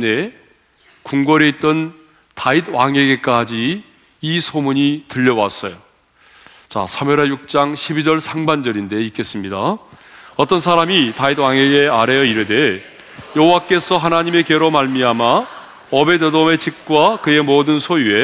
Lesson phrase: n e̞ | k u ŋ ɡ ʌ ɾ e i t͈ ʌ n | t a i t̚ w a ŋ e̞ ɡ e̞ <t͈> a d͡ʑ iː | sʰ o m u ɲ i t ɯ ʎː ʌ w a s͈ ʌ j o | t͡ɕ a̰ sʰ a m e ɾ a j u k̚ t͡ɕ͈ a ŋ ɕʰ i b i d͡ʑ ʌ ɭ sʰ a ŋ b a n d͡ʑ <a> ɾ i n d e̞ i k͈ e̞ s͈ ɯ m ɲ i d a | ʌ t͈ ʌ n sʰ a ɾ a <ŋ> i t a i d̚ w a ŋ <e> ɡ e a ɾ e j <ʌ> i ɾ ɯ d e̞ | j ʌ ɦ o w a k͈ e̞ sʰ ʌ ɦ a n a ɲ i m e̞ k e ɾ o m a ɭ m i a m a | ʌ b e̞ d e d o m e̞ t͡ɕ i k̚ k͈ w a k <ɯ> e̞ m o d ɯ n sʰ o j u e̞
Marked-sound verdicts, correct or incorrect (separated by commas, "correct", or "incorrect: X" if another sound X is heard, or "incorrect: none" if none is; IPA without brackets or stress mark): incorrect: k͈, incorrect: ʌ, incorrect: m, correct, correct, correct